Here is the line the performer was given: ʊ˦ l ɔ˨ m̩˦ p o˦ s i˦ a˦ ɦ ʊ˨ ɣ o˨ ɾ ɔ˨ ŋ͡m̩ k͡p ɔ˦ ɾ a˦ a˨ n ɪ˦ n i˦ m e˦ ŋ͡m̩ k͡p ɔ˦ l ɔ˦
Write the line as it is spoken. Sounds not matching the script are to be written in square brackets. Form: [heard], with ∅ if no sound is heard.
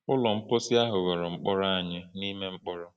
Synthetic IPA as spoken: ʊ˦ l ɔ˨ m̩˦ p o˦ s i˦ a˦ ɦ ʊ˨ ɣ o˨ ɾ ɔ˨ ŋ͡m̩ k͡p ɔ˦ ɾ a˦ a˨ [ɲ] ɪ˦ n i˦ m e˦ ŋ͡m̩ k͡p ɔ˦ [ɾ] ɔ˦